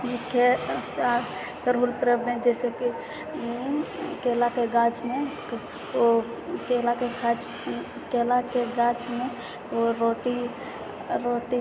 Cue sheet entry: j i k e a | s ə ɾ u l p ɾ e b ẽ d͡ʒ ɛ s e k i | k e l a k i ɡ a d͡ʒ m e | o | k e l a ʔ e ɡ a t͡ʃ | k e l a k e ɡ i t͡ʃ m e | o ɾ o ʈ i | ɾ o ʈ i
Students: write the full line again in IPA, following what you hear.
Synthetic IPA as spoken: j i k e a | s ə ɾ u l p ɾ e b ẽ d͡ʒ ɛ s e k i | k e l a k e ɡ a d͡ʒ m e | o | k e l a k e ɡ a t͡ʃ | k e l a k e ɡ a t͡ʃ m e | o ɾ o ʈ i | ɾ o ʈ i